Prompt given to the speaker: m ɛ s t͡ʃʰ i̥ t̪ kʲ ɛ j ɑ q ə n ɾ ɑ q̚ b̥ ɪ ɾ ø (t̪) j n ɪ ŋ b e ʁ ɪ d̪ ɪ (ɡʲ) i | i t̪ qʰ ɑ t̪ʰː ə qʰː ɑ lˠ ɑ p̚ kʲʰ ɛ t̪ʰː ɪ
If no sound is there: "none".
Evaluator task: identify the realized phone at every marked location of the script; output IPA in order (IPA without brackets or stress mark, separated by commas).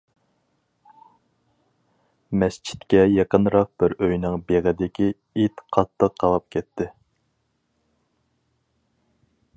none, kʲ